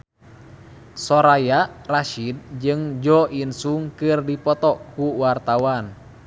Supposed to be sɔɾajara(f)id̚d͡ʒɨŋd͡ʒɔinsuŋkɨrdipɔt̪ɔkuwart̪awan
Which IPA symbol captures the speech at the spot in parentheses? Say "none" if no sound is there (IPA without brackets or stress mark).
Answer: ʃ